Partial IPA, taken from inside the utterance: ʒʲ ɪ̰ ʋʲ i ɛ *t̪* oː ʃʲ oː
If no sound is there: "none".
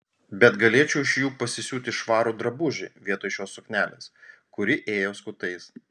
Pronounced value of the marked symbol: t̪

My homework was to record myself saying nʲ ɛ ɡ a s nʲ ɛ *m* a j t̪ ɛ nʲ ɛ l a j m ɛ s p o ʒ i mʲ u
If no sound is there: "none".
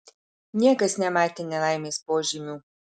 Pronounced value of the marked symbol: m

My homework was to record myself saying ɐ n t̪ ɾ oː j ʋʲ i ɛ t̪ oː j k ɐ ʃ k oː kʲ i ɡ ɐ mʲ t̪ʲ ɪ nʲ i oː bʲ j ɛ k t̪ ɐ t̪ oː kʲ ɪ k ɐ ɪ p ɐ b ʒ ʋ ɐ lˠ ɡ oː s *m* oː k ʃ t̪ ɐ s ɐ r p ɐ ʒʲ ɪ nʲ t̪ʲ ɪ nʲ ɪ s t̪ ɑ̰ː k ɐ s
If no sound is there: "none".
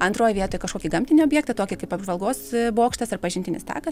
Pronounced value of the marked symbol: b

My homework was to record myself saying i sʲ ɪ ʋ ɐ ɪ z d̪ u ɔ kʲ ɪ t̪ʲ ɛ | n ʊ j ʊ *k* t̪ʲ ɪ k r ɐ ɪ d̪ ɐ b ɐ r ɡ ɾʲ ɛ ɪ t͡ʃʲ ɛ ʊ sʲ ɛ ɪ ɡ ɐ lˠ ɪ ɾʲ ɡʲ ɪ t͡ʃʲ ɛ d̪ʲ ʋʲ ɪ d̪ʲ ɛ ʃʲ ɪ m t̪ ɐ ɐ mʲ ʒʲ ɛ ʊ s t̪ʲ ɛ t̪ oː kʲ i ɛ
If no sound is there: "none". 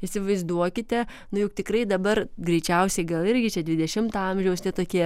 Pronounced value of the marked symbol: k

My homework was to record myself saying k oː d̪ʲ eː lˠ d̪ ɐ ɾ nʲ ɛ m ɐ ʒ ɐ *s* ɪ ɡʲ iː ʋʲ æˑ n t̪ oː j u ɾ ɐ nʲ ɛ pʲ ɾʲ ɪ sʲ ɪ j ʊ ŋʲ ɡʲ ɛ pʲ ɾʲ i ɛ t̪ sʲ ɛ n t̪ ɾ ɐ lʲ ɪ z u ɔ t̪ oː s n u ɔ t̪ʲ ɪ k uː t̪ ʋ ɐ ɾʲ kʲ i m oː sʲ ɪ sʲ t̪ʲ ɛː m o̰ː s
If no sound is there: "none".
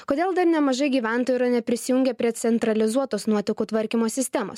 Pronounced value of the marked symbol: none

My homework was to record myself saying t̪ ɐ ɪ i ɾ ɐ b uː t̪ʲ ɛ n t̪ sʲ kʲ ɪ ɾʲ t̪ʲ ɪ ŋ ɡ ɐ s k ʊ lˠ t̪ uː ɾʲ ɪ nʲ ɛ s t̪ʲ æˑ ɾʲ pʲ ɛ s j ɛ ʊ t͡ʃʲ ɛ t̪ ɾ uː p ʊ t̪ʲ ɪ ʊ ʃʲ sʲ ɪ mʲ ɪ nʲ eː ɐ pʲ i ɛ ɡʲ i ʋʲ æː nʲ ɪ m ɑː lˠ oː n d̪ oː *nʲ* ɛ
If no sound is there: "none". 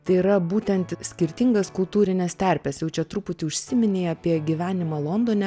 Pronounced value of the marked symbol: nʲ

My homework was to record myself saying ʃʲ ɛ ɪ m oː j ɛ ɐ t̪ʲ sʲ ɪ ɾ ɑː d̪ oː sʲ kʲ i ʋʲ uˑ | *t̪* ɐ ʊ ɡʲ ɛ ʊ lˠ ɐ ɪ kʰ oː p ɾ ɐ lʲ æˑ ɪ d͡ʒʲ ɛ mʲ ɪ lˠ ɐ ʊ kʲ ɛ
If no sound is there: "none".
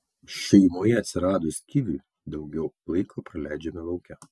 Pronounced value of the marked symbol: d̪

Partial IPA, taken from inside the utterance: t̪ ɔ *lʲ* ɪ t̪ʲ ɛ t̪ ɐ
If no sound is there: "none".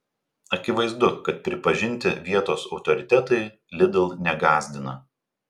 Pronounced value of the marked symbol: ɾʲ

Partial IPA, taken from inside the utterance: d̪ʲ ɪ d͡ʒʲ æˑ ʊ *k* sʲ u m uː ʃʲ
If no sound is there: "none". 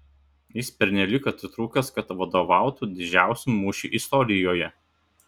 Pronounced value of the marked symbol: none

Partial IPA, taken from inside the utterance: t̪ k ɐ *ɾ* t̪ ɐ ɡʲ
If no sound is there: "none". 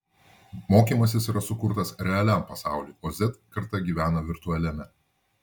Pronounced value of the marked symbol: ɾ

